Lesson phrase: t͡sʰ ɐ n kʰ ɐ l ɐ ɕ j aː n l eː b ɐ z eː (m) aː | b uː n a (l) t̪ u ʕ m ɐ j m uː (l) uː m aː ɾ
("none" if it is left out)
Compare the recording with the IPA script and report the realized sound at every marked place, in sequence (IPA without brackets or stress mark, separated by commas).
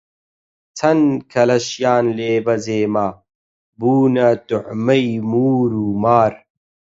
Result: m, none, ɾ